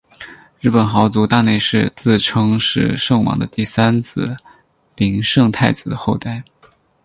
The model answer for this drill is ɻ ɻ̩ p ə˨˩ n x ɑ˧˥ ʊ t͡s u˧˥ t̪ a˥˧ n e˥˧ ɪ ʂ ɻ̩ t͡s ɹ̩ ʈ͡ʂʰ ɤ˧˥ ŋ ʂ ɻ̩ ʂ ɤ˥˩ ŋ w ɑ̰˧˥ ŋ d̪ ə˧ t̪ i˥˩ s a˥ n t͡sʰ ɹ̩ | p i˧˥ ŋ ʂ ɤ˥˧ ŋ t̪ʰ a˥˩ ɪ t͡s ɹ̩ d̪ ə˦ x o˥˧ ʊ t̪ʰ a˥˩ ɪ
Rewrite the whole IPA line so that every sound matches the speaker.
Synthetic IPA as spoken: ɻ ɻ̩ p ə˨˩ n x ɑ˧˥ ʊ t͡s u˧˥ t̪ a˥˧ n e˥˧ ɪ ʂ ɻ̩ t͡s ɹ̩ ʈ͡ʂʰ ɤ˥ ŋ ʂ ɻ̩ ʂ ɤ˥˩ ŋ w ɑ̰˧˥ ŋ d̪ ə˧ t̪ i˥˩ s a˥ n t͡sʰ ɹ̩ | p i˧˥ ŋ ʂ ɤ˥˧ ŋ t̪ʰ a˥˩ ɪ t͡s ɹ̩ d̪ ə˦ x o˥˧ ʊ t̪ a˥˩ ɪ